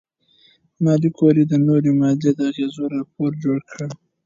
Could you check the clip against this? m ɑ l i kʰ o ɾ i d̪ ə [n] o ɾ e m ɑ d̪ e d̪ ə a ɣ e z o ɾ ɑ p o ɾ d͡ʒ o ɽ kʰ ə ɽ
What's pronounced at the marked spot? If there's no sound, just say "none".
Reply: n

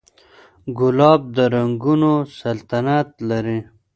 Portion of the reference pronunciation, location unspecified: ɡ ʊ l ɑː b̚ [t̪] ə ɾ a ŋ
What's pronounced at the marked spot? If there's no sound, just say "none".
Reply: d̪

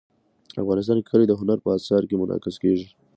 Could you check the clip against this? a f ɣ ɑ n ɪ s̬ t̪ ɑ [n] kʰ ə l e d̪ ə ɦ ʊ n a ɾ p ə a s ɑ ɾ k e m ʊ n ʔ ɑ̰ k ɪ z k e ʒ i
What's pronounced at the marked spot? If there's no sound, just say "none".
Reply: n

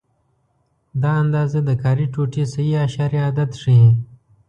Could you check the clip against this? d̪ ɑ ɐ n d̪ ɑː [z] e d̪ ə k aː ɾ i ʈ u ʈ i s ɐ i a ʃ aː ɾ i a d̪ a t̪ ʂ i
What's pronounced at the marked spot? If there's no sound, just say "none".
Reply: z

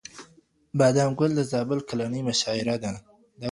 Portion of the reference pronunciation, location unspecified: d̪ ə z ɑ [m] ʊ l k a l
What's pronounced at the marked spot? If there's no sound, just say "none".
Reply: b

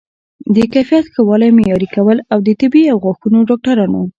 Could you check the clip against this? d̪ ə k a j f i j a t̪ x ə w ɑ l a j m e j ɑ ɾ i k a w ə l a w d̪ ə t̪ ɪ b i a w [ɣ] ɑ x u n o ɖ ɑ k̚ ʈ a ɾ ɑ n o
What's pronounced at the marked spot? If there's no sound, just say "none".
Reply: ɣ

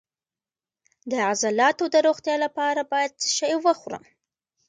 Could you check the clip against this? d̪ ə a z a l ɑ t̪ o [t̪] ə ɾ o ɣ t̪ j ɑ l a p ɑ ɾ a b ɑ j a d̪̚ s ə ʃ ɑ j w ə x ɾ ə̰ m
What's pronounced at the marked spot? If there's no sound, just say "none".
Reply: d̪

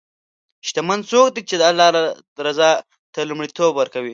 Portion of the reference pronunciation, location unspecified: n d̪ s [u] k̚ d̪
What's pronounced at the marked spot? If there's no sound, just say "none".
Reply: o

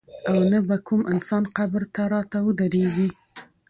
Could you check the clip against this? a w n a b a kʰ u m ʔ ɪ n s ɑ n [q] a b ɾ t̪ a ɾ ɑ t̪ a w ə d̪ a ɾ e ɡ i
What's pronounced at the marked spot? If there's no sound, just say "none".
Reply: q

